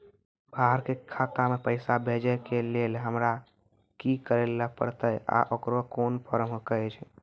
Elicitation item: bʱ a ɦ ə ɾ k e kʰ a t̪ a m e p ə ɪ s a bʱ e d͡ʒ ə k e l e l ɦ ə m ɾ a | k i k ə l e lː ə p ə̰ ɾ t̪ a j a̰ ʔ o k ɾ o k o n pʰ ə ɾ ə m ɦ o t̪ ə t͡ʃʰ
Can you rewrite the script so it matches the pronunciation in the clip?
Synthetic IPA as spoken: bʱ a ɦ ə ɾ k e kʰ a t̪ a m e p ə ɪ s a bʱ e d͡ʒ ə k e l e l ɦ ə m ɾ a | k i k ə ɾ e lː ə p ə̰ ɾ t̪ ə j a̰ ʔ o k ɾ o k o n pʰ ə ɾ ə m ɦ o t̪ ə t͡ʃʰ